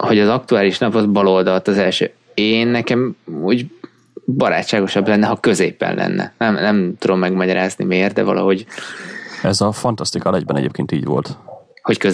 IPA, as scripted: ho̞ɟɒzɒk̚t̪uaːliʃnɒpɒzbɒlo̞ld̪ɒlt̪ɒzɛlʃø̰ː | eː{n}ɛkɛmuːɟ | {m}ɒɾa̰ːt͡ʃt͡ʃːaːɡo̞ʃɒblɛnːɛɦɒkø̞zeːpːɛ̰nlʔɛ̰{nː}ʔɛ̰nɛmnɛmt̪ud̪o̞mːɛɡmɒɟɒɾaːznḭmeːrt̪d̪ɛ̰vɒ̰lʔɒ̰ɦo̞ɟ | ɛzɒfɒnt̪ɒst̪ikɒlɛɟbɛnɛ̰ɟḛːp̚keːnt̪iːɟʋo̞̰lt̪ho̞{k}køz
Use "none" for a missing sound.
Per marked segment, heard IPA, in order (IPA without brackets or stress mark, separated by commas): nː, b, nː, c